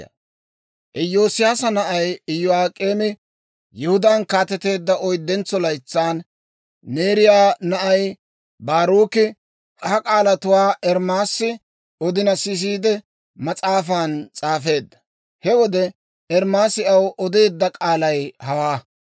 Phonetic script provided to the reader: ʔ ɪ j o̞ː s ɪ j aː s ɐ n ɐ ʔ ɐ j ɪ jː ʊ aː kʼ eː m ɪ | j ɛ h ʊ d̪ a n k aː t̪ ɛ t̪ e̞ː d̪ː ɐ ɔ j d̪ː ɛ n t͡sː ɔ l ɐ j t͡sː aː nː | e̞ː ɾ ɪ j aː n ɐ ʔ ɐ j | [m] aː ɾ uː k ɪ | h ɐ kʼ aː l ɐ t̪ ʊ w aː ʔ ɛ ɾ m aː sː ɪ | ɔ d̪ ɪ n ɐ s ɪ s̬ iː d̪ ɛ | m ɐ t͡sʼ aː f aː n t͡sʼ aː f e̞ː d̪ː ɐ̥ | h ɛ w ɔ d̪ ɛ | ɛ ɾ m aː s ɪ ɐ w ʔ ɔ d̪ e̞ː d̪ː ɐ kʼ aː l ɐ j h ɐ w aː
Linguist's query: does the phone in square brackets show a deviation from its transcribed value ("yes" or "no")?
yes